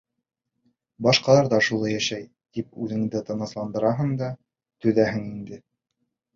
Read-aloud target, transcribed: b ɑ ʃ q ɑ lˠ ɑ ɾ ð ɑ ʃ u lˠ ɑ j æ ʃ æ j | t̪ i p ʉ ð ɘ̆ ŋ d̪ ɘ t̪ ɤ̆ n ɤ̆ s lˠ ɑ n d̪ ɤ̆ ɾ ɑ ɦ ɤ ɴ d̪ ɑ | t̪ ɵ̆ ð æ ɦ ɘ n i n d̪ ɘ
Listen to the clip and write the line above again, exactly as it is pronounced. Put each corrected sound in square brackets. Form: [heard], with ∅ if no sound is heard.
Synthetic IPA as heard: b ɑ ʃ q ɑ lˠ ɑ ɾ ð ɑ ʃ u lˠ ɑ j æ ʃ æ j | t̪ i p ʉ ð ɘ̆ ŋ d̪ ɘ t̪ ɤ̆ n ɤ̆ s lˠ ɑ n d̪ ɤ̆ ɾ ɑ ɦ ɤ ɴ d̪ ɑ | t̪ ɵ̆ ð æ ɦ ɘ [ŋ] i n d̪ ɘ